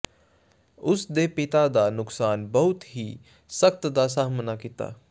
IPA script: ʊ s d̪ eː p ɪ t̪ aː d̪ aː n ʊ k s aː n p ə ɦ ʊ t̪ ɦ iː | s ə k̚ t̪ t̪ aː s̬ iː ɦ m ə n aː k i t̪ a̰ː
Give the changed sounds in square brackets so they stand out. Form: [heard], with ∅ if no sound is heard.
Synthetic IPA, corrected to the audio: ʊ s d̪ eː p ɪ t̪ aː d̪ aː n ʊ k s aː n [b] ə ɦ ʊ t̪ ɦ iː | s ə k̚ t̪ [d̪] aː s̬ [aː] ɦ m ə n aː k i t̪ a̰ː

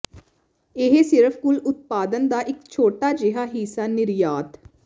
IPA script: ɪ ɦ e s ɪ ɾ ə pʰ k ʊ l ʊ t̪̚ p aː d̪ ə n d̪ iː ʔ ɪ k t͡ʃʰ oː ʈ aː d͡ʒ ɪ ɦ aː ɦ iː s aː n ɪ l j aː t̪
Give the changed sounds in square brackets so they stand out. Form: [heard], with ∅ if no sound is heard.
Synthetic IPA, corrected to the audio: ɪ ɦ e s ɪ ɾ ə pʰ k ʊ l ʊ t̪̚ p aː d̪ ə n d̪ [aː] ʔ ɪ k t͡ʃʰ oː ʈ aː d͡ʒ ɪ ɦ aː ɦ iː s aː n ɪ [ɾ] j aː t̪

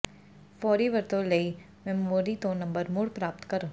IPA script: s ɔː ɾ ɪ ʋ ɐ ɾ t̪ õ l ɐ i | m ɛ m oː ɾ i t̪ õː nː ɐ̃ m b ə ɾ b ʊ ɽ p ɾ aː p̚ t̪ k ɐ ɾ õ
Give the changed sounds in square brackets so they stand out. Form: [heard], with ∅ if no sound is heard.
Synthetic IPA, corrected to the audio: [f] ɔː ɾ [i] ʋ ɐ ɾ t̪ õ l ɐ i | m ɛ m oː ɾ i t̪ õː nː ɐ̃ m b ə ɾ [m] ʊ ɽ p ɾ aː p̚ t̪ k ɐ ɾ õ

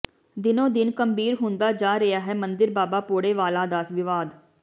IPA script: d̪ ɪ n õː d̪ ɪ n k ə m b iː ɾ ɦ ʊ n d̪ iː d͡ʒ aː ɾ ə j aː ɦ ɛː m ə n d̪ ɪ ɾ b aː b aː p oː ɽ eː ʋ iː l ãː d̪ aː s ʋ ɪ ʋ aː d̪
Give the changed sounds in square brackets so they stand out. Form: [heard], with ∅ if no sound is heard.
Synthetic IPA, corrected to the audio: d̪ ɪ n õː d̪ ɪ n k ə m b iː ɾ ɦ ʊ n d̪ [aː] d͡ʒ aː ɾ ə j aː ɦ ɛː m ə n d̪ ɪ ɾ b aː b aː p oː ɽ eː ʋ [aː] l [aː] d̪ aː s ʋ ɪ ʋ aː d̪

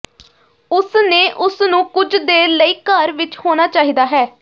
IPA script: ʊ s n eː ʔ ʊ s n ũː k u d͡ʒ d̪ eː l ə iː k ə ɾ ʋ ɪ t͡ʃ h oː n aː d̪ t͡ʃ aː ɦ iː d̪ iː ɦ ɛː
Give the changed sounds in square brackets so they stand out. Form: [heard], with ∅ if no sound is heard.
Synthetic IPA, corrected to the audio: ʊ s n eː ʔ ʊ s n ũː k [ʊ] d͡ʒ d̪ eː l ə iː k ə ɾ ʋ ɪ t͡ʃ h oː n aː [∅] t͡ʃ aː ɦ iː d̪ [aː] ɦ ɛː

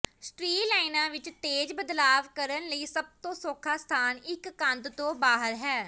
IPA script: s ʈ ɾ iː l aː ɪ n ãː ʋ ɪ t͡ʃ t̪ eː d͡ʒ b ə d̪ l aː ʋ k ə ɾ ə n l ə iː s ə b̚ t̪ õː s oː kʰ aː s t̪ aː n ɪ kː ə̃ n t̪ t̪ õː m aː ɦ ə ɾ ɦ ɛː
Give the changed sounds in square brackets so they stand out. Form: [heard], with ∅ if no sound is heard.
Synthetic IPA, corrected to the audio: s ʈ ɾ iː l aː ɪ n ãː ʋ ɪ t͡ʃ t̪ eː d͡ʒ b ə d̪ l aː ʋ k ə ɾ ə n l ə iː s ə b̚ t̪ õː s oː kʰ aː s [t̪ʰ] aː n ɪ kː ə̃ n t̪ t̪ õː [b] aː ɦ ə ɾ ɦ ɛː

